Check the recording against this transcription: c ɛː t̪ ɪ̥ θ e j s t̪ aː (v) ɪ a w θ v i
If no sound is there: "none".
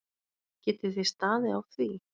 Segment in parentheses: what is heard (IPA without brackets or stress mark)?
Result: ð